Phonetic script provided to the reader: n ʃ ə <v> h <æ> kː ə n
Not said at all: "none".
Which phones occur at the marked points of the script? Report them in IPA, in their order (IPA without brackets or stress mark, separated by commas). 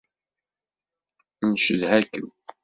ð, æ